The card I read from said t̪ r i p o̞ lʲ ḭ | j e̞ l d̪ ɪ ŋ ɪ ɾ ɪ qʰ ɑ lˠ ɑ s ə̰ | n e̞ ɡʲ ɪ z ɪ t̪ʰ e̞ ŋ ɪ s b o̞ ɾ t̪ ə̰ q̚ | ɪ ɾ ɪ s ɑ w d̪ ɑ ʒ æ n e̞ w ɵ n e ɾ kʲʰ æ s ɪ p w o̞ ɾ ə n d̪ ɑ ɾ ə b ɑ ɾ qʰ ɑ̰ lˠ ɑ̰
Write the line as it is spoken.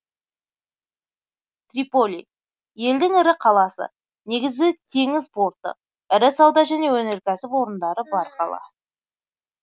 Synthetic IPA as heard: t̪ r i p o̞ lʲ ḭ | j e̞ l d̪ ɪ ŋ ɪ ɾ ɪ qʰ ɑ lˠ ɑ s ə̰ | n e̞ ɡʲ ɪ z ɪ t̪ʰ e̞ ŋ ɪ z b o̞ ɾ t̪ ə̰ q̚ | ɪ ɾ ɪ s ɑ w d̪ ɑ ʒ æ n e̞ w ɵ n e ɾ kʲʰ æ s ɪ p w o̞ ɾ ə n d̪ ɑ ɾ ə b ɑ ɾ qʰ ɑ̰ lˠ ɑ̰